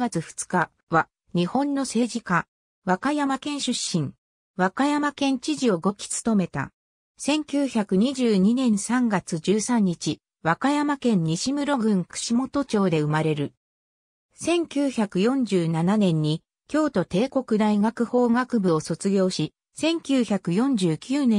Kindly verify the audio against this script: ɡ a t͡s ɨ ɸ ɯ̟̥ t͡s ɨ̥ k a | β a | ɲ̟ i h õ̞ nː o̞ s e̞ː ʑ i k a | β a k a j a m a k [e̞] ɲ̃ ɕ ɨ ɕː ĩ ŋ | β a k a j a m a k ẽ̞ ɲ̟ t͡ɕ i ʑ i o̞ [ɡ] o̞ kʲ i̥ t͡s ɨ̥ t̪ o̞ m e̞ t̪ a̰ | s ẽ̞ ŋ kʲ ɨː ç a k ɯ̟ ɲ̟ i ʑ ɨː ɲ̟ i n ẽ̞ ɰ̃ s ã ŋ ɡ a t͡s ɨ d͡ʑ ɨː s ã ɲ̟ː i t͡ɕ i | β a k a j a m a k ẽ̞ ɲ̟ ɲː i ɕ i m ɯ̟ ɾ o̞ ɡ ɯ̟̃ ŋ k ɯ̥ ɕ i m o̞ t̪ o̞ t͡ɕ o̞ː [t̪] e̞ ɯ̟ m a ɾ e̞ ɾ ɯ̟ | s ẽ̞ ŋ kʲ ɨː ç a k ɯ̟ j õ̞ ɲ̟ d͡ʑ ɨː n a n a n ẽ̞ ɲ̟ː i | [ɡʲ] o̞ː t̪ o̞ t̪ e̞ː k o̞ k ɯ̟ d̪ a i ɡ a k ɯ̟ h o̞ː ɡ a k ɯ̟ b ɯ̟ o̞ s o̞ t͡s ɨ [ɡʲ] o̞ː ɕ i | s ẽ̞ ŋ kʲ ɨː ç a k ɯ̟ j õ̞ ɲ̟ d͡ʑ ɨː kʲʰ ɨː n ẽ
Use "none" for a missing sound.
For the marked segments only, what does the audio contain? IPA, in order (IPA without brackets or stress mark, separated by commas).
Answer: ẽ̞, ɡ, d̪, kʲ, ɡʲ